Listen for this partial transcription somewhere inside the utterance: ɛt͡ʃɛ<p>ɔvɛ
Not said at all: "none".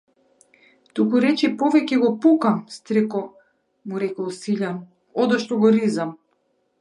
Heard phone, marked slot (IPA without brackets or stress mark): p